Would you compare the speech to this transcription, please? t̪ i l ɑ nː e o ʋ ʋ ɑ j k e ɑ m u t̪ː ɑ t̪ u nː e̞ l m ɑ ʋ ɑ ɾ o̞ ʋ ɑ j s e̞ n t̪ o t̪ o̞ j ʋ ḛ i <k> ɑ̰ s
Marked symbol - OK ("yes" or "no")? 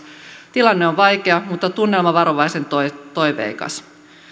yes